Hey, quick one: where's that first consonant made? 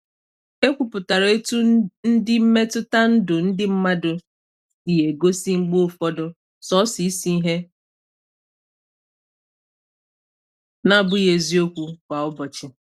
velum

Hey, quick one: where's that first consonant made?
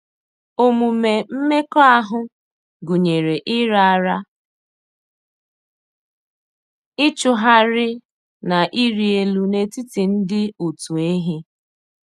lips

